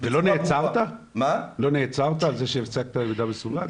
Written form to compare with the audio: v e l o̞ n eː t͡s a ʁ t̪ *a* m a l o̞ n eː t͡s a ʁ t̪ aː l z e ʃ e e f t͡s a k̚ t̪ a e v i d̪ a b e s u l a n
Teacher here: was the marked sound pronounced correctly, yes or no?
yes